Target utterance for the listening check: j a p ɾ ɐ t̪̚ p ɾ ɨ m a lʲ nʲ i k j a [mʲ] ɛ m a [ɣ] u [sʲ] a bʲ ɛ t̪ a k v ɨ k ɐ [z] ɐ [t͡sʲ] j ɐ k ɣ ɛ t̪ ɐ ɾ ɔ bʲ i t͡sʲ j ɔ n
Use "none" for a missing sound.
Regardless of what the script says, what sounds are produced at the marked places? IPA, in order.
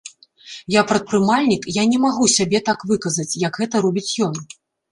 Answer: nʲ, ɣ, sʲ, z, t͡sʲ

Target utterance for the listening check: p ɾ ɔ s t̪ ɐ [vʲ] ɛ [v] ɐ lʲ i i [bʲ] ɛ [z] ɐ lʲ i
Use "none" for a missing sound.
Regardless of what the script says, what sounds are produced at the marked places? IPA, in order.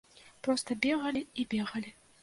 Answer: bʲ, ɣ, bʲ, ɣ

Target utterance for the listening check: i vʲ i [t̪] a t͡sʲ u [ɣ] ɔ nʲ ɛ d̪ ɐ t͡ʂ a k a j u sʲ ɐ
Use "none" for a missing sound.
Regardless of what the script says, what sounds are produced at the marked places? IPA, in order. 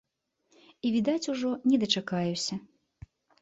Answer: d̪, ʐ

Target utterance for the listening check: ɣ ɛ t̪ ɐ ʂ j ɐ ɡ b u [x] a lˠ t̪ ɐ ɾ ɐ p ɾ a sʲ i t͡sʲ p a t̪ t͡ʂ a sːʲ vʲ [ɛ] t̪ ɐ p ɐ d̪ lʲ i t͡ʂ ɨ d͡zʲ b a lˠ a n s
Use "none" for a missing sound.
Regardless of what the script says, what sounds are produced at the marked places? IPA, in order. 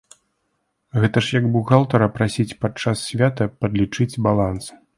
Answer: ɣ, a

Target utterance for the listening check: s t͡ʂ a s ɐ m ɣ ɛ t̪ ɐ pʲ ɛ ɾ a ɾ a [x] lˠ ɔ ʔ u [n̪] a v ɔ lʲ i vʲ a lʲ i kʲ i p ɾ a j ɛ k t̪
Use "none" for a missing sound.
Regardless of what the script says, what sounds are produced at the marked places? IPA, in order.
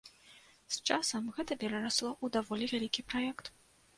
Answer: s, d̪

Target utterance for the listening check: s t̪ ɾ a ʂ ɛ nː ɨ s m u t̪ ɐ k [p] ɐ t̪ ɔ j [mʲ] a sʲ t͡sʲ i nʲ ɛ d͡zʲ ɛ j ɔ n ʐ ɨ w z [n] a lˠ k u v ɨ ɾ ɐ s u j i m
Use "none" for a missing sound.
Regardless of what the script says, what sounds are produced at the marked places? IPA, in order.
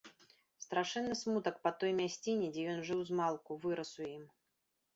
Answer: p, mʲ, m

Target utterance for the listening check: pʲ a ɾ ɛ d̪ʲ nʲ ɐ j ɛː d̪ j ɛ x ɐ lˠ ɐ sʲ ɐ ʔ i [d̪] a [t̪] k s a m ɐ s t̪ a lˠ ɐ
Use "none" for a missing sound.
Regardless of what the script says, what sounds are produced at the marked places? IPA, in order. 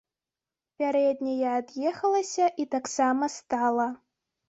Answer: t̪, none

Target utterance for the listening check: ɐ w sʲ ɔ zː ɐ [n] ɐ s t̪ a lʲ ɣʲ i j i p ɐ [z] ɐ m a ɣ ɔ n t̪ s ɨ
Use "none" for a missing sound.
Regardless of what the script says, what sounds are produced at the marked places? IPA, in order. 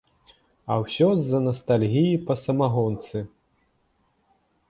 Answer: n, s

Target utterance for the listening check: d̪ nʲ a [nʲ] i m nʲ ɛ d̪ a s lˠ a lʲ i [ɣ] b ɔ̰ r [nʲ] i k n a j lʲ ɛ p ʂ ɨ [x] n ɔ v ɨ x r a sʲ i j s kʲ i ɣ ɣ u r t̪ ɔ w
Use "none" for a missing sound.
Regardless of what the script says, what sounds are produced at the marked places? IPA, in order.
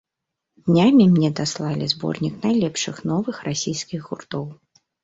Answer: mʲ, z, nʲ, x

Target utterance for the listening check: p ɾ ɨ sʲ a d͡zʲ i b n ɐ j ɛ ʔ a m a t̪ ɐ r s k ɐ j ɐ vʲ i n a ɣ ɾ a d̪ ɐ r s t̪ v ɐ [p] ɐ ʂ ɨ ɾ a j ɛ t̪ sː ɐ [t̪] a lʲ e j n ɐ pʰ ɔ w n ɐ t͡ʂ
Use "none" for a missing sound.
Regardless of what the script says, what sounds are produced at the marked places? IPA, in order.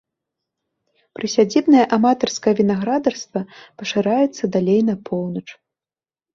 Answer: p, d̪

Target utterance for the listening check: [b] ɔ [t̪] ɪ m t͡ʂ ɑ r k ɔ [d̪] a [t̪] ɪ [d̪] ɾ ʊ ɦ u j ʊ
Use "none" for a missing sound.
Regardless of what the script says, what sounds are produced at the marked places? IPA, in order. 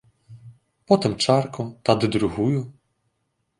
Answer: p, t̪, t̪, d̪, d̪

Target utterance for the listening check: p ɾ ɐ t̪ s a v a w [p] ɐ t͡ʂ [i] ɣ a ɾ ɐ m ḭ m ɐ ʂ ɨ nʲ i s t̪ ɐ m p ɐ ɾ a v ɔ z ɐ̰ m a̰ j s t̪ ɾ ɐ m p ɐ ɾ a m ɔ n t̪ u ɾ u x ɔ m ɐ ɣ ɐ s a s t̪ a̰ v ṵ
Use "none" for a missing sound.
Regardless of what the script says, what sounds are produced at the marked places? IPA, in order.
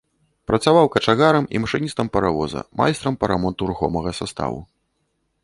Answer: k, a

